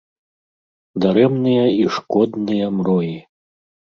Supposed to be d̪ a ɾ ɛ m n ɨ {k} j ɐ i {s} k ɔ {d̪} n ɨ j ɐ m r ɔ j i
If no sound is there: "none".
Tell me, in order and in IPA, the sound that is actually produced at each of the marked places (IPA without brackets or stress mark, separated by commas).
none, ʂ, d̪